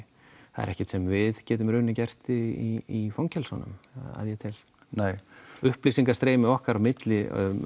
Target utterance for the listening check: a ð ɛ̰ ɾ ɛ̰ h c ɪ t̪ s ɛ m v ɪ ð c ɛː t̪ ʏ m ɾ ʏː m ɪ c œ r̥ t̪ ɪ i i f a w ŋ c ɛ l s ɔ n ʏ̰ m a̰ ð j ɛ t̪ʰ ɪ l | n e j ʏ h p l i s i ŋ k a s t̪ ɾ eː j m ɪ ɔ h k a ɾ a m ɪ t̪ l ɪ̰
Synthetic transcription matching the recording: a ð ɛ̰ ɾ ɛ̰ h c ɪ t̪ s ɛ m v ɪ ð c ɛː t̪ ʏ m ɾ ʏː n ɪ c ɛ r̥ t̪ ɪ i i f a w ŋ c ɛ l s ɔ n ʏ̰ m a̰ ð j ɛ t̪ʰ ɪ l | n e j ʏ h p l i s i ŋ k a s t̪ ɾ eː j m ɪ ɔ h k a ɾ a m ɪ t̪ l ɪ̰